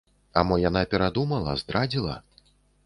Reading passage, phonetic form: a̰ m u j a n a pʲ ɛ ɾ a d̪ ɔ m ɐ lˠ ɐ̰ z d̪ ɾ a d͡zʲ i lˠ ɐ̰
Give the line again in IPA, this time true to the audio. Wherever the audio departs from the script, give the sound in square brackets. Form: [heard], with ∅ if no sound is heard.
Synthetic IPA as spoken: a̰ m [ɔ] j a n a pʲ ɛ ɾ a d̪ [u] m ɐ lˠ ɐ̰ z d̪ ɾ a d͡zʲ i lˠ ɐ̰